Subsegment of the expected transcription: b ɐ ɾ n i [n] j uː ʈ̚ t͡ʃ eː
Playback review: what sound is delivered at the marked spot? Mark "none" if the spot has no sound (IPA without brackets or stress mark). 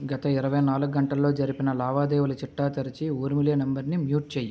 m